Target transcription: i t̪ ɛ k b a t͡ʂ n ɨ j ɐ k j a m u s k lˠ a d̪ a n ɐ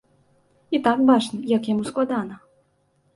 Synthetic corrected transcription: i t̪ a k b a t͡ʂ n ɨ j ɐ k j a m u s k lˠ a d̪ a n ɐ